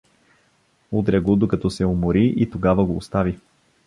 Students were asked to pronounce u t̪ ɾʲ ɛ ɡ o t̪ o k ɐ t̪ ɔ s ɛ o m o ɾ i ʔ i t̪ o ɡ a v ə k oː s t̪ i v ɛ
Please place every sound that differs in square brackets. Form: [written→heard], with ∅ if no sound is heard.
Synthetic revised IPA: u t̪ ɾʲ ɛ ɡ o [t̪→d̪] o k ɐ t̪ ɔ s ɛ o m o ɾ i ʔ i t̪ o ɡ a v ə [k→ɡ] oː s t̪ [i→a] v [ɛ→i]